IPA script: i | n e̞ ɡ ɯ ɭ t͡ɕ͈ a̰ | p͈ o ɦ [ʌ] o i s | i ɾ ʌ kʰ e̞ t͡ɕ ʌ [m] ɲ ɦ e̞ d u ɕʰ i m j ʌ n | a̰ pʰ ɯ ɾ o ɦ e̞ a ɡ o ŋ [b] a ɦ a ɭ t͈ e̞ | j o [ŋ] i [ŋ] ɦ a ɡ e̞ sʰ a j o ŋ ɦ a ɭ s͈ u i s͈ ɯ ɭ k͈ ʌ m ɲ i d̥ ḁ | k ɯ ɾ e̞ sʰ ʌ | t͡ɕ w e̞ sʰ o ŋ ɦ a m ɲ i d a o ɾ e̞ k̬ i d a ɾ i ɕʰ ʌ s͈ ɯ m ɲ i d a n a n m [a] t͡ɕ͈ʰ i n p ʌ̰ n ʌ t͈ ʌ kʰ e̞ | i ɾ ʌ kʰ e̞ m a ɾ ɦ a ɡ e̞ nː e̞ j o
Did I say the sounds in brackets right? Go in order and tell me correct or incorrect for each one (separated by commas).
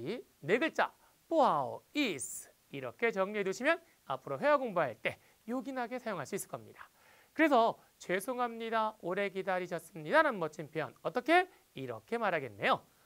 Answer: incorrect, incorrect, correct, incorrect, incorrect, incorrect